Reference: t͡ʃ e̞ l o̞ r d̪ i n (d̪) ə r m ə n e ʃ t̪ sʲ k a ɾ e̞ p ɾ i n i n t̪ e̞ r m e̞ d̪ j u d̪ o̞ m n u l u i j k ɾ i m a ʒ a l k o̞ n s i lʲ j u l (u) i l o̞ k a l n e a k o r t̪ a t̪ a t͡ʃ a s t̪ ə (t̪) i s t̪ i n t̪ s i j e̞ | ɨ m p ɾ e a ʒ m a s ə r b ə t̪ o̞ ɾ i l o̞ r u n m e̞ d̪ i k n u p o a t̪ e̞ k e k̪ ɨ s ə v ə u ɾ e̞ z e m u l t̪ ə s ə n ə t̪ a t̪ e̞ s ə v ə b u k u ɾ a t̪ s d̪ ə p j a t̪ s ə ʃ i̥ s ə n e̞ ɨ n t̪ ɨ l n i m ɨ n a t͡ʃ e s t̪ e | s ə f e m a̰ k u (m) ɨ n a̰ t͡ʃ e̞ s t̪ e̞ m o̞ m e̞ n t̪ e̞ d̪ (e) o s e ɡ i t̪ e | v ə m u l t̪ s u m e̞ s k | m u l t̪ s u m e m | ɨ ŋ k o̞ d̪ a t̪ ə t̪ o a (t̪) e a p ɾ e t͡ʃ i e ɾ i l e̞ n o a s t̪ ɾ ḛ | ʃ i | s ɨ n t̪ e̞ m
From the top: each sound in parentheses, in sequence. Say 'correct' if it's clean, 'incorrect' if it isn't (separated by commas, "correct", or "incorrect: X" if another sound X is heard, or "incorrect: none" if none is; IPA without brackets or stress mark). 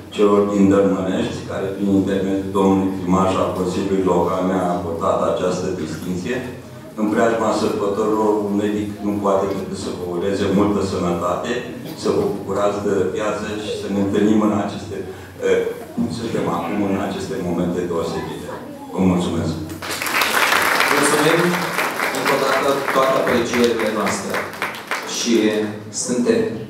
correct, correct, incorrect: d̪, correct, correct, correct